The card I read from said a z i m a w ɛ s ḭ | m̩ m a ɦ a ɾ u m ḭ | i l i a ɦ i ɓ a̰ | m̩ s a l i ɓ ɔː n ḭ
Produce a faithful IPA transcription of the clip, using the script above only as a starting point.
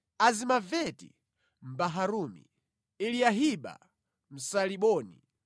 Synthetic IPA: a z i m a v ɛ t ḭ | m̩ b a ɦ a ɾ u m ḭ | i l i a ɦ i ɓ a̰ | m̩ s a l i ɓ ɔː n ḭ